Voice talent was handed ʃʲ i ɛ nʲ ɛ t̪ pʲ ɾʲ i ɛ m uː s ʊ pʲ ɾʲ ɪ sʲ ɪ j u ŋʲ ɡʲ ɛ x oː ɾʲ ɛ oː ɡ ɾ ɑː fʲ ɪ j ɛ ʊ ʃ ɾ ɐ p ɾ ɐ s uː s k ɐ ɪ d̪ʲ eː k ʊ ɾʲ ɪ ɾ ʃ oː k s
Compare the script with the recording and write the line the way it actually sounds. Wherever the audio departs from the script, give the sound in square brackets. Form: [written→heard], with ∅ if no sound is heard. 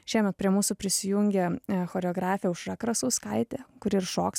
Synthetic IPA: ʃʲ i ɛ [nʲ→mʲ] ɛ t̪ pʲ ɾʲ i ɛ m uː s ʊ pʲ ɾʲ ɪ sʲ ɪ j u ŋʲ ɡʲ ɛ x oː ɾʲ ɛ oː ɡ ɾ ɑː fʲ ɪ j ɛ ʊ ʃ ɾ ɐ [p→k] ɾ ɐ s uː s k ɐ ɪ [d̪ʲ→t̪ʲ] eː k ʊ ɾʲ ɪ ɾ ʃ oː k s